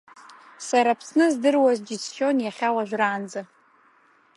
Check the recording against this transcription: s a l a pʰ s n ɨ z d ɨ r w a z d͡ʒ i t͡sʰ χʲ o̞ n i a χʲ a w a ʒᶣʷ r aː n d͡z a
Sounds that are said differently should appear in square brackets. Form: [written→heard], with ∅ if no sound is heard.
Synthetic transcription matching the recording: s a [l→ɾ] a pʰ s n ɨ z d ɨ r w a z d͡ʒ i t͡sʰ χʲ o̞ n [i→j] a χʲ a w a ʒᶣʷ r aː n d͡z a

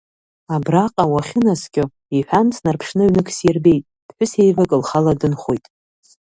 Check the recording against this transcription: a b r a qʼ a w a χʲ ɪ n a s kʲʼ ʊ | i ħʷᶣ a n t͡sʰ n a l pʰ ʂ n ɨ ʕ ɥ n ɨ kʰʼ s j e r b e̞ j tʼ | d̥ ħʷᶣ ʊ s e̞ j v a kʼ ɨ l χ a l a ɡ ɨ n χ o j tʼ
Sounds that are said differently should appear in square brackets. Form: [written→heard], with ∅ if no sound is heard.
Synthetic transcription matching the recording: a b r a qʼ a w a χʲ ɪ n a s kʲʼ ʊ | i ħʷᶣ a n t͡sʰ n a [l→r] pʰ ʂ n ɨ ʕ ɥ n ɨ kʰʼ s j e r b e̞ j tʼ | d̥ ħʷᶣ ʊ s e̞ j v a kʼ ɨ l χ a l a [ɡ→d] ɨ n χ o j tʼ

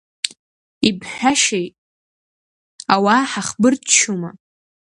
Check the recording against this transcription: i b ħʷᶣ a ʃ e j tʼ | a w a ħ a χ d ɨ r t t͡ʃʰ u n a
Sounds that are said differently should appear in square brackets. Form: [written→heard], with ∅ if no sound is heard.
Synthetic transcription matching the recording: i b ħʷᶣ a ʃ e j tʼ | a w a ħ a χ [d→b] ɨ r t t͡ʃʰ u [n→m] a

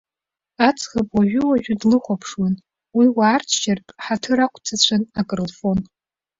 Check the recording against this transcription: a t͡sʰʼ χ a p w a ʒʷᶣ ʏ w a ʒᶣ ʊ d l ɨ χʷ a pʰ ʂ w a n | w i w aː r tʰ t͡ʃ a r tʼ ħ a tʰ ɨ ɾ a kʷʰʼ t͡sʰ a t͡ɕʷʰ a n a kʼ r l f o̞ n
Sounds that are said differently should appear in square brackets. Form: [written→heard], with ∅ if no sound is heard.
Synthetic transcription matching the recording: a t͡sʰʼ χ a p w a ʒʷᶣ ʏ w a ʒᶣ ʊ d l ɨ χʷ a pʰ ʂ w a n | w i w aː r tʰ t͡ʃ a r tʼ ħ a tʰ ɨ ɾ a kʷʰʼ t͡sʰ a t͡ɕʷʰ a n a kʼ r l f o̞ n

